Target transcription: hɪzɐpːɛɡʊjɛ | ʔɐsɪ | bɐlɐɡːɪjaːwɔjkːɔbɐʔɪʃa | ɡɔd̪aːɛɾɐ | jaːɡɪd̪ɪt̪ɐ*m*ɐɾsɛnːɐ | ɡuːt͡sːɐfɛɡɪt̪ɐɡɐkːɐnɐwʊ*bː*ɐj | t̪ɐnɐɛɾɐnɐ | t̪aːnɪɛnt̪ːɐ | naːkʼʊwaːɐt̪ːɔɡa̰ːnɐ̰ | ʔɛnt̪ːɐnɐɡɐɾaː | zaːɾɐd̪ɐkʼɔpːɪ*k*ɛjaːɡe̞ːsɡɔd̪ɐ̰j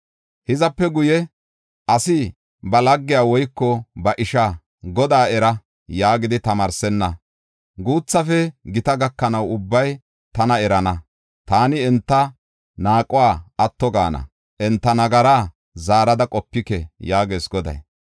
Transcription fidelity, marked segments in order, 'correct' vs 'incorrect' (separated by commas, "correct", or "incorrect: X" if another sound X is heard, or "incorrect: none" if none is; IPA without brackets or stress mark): correct, correct, correct